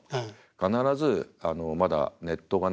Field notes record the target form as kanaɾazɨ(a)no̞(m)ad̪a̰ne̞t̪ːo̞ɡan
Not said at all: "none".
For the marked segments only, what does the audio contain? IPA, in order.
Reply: a, m

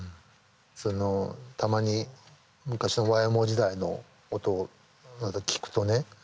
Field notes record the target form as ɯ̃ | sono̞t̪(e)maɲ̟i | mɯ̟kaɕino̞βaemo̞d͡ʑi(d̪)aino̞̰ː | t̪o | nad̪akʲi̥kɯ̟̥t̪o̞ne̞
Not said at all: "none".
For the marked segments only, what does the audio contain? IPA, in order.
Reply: a, d̪

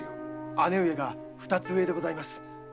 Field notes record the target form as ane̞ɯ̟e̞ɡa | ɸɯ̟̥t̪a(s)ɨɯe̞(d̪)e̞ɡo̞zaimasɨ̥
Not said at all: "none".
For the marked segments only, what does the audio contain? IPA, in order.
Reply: t͡s, d̪

